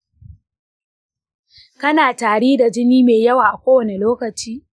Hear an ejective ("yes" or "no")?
no